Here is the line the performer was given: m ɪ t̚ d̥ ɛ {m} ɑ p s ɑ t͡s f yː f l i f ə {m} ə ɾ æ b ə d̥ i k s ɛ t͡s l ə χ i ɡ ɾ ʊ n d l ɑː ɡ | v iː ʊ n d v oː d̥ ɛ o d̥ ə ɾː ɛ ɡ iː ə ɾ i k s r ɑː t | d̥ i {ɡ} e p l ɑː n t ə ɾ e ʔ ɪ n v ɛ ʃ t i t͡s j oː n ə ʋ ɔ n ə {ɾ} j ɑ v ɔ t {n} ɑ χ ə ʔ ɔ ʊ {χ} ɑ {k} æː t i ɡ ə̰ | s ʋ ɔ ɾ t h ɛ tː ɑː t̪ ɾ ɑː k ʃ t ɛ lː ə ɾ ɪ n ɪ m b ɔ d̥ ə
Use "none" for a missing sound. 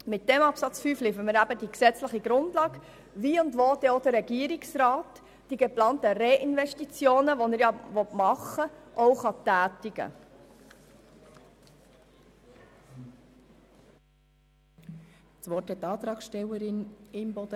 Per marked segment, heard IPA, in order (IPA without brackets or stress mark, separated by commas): m, m, ɡ, ɾ, m, χ, t